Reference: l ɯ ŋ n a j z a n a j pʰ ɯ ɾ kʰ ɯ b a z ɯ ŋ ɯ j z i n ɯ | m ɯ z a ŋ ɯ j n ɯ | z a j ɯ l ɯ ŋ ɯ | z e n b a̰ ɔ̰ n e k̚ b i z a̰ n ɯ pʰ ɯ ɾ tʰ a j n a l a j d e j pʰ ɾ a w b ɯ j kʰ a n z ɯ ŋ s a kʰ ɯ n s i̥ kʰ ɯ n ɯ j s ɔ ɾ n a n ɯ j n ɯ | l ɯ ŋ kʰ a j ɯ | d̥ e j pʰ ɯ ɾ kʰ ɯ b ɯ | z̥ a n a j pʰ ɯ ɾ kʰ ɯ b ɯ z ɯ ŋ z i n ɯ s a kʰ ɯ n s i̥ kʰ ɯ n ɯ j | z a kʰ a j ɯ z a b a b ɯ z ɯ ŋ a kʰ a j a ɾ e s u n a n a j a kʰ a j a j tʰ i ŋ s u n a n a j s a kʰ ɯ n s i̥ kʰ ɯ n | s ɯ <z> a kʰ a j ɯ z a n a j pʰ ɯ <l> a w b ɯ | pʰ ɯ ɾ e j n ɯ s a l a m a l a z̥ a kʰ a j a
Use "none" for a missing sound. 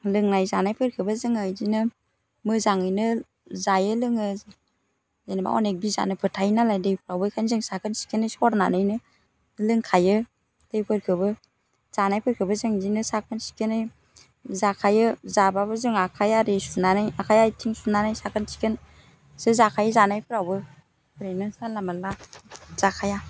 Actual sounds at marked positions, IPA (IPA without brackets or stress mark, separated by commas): z, ɾ